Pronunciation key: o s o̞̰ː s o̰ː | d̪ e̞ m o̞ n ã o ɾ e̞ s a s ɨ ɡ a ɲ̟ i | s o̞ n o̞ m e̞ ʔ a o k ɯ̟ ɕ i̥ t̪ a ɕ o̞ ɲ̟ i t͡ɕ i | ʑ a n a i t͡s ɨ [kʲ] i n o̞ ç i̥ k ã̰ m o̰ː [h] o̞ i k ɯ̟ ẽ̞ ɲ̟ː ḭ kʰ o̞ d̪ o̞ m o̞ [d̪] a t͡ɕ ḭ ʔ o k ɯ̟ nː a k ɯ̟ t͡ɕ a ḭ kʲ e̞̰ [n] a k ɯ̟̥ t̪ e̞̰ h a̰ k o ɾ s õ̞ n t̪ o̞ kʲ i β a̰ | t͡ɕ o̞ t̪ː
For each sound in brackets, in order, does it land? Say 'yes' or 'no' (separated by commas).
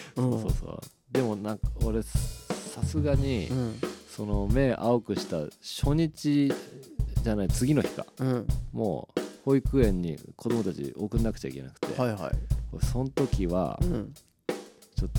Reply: no, yes, no, yes